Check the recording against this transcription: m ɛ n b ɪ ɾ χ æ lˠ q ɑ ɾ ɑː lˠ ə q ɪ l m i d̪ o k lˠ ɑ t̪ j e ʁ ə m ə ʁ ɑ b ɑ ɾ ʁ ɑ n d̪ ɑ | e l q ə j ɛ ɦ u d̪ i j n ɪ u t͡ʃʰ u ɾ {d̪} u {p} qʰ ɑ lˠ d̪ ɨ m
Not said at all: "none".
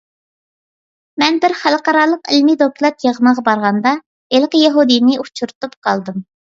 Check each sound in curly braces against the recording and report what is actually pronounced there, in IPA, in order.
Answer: t̪, p

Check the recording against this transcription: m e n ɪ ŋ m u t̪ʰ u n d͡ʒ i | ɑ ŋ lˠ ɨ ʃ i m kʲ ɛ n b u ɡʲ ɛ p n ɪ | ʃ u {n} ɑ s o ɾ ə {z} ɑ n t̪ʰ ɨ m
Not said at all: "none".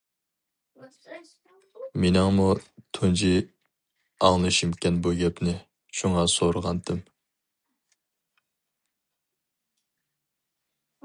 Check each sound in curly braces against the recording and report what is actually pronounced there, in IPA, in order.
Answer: ŋ, ʁ

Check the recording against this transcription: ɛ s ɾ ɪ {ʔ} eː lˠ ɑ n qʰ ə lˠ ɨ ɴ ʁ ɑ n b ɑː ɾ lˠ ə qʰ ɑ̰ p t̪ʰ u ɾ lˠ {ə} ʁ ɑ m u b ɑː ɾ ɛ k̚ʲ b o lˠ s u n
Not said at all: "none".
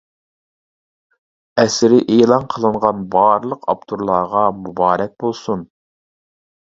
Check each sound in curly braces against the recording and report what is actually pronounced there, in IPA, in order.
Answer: ʔ, ɑ

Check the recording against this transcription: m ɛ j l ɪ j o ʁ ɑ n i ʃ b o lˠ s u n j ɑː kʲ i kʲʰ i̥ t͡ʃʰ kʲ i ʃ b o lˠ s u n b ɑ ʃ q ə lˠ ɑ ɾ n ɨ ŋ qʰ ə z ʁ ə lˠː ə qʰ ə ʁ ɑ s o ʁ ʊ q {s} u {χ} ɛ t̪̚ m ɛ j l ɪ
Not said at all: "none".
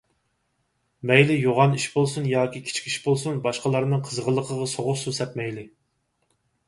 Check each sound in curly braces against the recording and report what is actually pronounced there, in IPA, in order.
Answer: s, s

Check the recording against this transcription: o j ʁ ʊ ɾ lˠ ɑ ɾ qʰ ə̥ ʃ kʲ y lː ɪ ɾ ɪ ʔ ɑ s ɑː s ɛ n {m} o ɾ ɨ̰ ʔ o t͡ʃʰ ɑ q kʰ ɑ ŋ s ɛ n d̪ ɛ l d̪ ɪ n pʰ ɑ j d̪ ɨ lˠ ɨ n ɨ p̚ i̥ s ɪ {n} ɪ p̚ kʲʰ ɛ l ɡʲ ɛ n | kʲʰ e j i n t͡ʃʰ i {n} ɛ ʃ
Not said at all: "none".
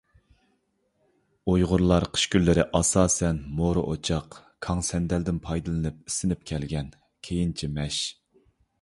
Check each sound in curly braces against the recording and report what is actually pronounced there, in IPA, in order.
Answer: m, n, m

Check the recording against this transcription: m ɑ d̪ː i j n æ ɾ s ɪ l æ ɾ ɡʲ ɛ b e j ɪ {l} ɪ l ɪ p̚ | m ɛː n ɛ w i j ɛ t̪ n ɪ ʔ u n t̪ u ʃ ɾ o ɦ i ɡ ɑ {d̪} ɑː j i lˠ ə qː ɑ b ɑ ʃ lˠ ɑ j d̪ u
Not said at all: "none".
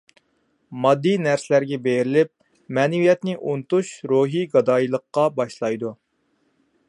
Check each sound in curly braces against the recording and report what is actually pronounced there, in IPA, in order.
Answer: ɾ, d̪

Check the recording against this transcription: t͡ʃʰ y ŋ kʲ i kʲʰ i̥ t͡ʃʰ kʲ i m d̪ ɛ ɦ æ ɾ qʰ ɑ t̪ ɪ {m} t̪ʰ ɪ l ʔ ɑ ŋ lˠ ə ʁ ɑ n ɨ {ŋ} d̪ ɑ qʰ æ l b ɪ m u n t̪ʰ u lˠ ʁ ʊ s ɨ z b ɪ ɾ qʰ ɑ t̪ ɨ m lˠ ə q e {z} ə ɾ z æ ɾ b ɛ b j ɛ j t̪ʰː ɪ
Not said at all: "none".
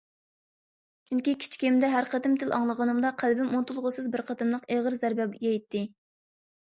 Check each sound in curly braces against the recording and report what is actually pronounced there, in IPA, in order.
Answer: m, m, ʁ

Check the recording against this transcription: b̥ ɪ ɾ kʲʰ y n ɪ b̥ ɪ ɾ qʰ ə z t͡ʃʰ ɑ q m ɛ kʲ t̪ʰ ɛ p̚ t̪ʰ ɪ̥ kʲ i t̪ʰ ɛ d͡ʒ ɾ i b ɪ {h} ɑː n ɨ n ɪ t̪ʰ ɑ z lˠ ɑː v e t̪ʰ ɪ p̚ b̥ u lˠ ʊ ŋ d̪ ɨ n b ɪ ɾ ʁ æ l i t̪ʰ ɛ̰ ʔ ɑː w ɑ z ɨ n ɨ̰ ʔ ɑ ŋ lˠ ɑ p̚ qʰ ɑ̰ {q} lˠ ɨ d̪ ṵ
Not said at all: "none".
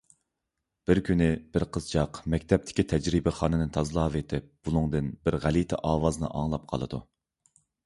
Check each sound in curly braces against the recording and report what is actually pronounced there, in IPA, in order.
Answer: χ, none

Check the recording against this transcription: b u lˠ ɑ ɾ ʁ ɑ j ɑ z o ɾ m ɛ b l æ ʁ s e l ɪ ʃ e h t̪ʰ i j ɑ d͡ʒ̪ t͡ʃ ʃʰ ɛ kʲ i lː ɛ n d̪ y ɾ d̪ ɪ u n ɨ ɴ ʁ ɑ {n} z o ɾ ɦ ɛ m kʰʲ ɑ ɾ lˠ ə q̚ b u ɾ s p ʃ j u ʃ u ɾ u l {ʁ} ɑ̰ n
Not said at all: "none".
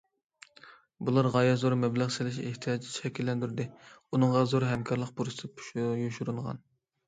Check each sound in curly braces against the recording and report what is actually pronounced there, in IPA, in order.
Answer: none, ʁ

